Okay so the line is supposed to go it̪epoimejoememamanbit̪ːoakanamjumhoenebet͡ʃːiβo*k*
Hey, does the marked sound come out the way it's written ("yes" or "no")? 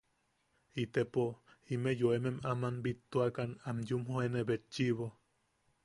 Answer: no